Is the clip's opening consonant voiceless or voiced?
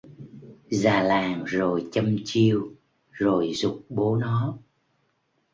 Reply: voiced